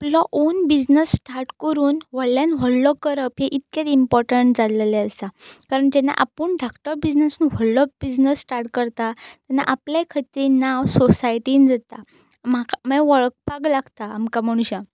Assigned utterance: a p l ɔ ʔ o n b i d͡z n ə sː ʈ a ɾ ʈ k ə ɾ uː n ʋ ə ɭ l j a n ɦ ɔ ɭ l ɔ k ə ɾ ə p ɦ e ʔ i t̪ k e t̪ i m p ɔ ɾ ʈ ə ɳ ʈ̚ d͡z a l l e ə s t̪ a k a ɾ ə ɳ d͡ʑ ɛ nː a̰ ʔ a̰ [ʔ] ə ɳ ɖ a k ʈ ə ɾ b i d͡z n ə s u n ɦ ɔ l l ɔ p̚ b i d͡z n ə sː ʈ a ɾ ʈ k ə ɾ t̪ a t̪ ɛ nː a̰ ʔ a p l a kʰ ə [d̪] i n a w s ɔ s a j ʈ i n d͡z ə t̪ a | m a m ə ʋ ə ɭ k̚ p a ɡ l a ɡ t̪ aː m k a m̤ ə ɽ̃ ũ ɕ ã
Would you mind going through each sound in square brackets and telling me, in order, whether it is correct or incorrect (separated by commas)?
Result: incorrect, incorrect